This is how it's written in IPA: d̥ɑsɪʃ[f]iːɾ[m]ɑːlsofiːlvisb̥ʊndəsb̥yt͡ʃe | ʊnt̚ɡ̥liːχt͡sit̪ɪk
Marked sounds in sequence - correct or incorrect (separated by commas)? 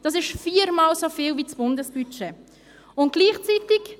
correct, correct